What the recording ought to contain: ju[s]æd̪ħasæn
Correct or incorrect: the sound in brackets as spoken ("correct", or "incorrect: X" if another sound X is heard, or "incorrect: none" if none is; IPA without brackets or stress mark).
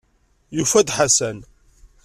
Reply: incorrect: f